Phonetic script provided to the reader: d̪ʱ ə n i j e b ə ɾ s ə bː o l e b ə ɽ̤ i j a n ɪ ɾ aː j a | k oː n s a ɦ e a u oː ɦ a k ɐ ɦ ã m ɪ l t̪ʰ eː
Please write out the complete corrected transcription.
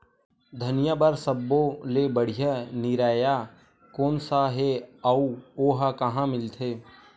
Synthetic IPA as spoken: d̪ʱ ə n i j a b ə ɾ s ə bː o l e b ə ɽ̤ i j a n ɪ ɾ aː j a | k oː n s a ɦ e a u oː ɦ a k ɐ ɦ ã m ɪ l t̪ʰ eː

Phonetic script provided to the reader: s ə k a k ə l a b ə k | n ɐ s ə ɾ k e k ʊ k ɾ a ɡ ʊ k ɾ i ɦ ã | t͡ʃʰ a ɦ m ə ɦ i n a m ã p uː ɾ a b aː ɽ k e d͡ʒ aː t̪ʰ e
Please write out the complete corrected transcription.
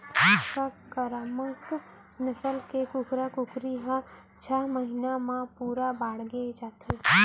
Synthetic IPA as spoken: s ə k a k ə ɾ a m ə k | n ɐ s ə l k e k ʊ k ɾ a k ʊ k ɾ i ɦ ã | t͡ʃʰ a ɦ m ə ɦ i n a m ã p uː ɾ a b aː ɽ ɡ e d͡ʒ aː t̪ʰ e

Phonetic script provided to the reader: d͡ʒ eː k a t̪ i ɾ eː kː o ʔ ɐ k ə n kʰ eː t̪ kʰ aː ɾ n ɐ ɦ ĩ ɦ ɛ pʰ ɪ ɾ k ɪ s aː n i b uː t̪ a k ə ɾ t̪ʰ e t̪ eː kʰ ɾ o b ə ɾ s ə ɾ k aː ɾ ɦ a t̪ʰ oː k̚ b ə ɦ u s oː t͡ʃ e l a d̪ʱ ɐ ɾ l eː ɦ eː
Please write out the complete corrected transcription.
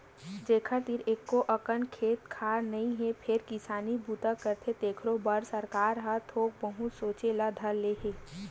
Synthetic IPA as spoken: d͡ʒ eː kʰ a t̪ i ɾ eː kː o ʔ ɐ k ə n kʰ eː t̪ kʰ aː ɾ n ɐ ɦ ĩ ɦ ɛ pʰ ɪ ɾ k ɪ s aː n i b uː t̪ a k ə ɾ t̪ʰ e t̪ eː kʰ ɾ o b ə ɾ s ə ɾ k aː ɾ ɦ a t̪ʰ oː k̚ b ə ɦ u s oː t͡ʃ e l a d̪ʱ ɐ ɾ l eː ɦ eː

